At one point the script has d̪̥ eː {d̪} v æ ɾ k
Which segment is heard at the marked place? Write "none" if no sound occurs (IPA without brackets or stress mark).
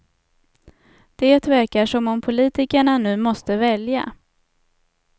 t̪